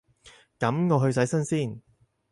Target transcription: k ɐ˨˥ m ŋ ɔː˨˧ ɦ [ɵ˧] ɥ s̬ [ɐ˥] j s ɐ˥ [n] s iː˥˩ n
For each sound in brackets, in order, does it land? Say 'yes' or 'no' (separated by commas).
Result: yes, no, yes